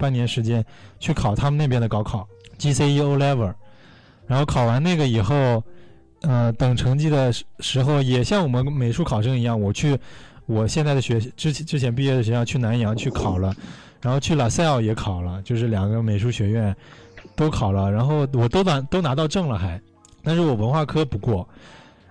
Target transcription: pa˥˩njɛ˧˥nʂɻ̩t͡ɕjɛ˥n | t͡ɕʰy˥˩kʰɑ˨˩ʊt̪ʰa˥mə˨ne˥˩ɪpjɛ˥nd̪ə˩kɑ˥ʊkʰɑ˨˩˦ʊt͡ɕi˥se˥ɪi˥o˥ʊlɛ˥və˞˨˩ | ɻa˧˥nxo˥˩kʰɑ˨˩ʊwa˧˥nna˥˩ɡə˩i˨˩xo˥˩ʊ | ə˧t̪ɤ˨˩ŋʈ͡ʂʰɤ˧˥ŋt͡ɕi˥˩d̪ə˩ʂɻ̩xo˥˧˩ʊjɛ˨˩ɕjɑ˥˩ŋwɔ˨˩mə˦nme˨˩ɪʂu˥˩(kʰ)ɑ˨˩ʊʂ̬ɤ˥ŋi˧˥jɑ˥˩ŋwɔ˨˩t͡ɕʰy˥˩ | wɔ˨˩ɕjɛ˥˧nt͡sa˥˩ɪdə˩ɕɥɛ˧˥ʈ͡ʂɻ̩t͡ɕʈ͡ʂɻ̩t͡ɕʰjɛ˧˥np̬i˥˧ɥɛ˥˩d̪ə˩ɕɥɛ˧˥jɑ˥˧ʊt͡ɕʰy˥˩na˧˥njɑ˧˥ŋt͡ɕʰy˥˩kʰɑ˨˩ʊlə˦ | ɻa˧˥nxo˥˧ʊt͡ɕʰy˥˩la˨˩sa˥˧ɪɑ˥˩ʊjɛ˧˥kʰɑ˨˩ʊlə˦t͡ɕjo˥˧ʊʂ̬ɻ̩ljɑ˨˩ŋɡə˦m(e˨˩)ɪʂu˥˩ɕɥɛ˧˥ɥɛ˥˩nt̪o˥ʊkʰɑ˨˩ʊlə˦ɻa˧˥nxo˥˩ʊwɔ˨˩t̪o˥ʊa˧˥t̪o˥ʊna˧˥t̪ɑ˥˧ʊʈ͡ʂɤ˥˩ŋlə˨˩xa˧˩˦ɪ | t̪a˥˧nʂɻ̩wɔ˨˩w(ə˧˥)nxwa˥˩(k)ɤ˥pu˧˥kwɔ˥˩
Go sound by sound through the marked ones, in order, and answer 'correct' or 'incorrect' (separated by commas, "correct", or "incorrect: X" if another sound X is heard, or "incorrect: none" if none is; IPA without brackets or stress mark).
correct, correct, correct, incorrect: kʰ